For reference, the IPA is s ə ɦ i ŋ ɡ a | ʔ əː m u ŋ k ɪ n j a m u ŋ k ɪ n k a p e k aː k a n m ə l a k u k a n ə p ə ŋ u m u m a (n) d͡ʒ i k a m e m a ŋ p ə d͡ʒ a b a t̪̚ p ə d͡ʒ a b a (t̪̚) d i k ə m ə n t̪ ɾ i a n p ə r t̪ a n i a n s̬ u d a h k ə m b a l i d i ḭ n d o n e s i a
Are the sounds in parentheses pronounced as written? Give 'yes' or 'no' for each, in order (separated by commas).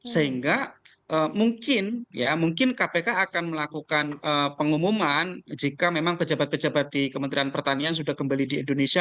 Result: yes, yes